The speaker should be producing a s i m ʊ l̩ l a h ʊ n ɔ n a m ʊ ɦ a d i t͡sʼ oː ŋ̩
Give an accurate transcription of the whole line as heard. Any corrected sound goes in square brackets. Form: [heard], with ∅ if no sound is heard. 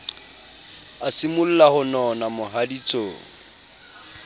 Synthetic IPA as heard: a s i m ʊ l̩ l a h ʊ n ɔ n a m ʊ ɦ a d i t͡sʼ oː ŋ̩

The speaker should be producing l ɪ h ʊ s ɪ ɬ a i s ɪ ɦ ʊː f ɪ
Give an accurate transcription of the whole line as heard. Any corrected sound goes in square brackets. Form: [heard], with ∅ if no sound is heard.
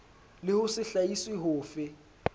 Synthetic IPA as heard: l ɪ h ʊ s ɪ ɬ a i s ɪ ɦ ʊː f ɪ

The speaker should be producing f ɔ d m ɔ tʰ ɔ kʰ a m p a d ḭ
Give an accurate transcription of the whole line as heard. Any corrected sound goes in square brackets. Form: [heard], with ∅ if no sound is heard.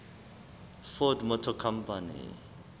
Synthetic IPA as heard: f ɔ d m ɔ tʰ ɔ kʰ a m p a [n] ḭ

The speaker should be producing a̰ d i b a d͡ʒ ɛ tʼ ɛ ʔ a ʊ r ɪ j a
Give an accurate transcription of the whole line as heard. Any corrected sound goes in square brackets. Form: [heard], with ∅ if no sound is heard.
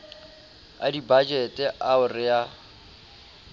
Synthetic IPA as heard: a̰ d i b a d͡ʒ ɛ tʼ ɛ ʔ a ʊ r ɪ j a

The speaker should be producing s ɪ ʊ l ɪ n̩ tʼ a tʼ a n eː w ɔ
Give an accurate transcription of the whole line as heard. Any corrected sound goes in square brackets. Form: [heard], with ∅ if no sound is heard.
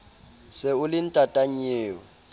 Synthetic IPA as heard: s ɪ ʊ l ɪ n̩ tʼ a tʼ a [ɲ] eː w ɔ

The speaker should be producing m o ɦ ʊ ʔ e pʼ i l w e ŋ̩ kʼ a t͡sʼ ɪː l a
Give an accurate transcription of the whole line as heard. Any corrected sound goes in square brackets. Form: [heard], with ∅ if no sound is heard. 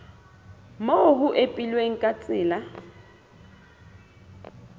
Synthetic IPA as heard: m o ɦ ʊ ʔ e pʼ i l w e ŋ̩ kʼ a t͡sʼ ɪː l a

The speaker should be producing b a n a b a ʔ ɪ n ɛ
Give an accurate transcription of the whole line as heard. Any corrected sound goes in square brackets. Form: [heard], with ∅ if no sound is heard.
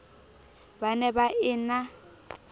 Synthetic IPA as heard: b a n [ɛ] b a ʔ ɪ n [a]

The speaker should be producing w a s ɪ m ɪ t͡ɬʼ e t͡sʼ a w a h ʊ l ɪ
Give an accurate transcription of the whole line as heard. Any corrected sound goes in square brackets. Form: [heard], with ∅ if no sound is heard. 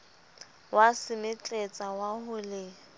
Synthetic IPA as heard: w a s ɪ m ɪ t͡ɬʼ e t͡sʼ a w a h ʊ l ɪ

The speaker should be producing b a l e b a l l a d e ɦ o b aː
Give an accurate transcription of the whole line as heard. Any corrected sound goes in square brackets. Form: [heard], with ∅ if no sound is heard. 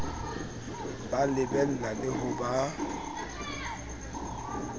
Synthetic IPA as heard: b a l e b [ɛ] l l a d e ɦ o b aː

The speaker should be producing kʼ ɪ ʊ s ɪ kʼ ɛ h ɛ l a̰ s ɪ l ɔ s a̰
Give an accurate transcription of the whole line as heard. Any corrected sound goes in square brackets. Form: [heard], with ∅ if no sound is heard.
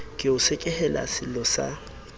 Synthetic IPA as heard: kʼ ɪ ʊ s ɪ kʼ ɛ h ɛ l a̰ s ɪ l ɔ s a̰

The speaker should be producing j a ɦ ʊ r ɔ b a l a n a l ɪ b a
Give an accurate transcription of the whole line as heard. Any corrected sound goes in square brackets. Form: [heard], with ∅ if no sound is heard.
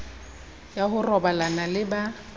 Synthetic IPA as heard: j a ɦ ʊ r ɔ b a l a n a l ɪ b a

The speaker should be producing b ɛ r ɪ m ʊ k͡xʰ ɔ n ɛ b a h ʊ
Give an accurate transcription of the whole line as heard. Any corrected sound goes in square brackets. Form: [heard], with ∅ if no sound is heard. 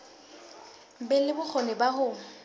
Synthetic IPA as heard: b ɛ [l] ɪ [b] ʊ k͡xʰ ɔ n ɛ b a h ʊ

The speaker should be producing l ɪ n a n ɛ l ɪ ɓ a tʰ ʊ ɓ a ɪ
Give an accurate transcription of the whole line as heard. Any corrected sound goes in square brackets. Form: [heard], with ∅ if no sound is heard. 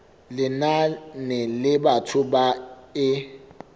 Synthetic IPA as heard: l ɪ n a n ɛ l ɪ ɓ a tʰ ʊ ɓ a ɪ

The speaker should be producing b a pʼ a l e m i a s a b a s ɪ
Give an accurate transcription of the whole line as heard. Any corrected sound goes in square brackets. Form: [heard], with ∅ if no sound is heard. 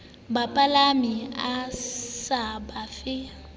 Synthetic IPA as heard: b a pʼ a l [a] m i a s a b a [f] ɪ

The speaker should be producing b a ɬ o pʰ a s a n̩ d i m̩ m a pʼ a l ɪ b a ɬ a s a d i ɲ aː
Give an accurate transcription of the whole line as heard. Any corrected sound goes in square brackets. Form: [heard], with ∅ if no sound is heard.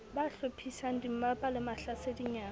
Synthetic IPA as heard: b a ɬ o pʰ [i] s a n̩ d i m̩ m a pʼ a l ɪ [m] a ɬ a s [e] d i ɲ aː

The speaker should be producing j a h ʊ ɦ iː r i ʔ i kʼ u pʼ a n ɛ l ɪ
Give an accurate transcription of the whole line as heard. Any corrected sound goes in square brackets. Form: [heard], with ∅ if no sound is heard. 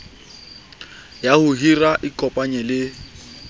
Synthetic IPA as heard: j a h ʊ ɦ [i] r [a] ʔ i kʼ [ɔ] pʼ a [ɲ] ɛ l ɪ

